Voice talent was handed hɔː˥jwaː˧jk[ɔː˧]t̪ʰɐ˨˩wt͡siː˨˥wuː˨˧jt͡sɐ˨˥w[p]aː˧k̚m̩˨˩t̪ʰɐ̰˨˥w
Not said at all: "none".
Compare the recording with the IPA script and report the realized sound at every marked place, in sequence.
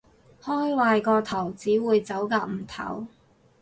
ɔː˧, k

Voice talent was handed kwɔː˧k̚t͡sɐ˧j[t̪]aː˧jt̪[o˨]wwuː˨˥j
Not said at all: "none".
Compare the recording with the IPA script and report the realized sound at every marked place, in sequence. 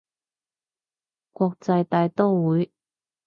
t̪, o˥

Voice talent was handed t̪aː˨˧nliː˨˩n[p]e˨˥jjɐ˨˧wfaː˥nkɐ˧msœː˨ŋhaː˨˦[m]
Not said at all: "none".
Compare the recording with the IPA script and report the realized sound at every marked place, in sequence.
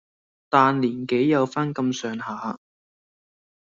k, none

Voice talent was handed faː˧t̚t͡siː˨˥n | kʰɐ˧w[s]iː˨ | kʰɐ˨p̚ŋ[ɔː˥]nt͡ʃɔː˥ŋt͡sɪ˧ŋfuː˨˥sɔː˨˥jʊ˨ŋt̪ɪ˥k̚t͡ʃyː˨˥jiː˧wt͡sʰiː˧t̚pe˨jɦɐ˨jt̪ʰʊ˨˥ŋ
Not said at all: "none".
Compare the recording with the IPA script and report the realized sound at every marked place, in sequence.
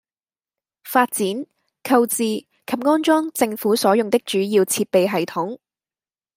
t͡s, ɔː˥

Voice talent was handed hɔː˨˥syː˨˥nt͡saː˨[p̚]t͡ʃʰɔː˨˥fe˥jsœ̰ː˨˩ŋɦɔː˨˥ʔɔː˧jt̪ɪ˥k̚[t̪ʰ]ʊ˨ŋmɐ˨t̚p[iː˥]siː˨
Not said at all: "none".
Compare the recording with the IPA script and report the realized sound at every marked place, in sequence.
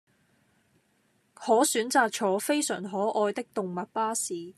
k̚, t̪, aː˥

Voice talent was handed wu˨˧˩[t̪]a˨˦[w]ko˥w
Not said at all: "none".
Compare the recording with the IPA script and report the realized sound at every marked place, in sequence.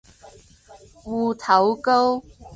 t̪ʰ, w

